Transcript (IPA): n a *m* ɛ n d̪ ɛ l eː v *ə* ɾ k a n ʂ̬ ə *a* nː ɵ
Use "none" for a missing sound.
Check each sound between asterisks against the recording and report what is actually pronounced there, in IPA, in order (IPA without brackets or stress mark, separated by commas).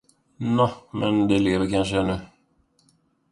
m, ə, ɛ